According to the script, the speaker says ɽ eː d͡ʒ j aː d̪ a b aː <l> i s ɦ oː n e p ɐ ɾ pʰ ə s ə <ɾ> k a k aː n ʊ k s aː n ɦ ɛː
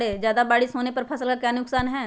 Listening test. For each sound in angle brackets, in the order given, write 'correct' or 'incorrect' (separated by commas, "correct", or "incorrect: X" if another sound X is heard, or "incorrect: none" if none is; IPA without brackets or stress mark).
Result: incorrect: ɽ, incorrect: l